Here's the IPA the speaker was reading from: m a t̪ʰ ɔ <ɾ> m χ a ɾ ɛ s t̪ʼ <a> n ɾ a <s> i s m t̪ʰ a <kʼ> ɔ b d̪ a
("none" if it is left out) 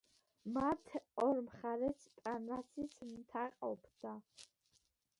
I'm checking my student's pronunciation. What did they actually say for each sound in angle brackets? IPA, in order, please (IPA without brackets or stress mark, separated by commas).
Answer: ɾ, a, s, qʼ